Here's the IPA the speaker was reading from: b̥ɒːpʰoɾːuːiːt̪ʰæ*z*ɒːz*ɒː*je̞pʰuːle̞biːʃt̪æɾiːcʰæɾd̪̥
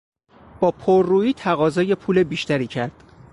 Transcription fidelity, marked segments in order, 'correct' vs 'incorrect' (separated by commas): incorrect, correct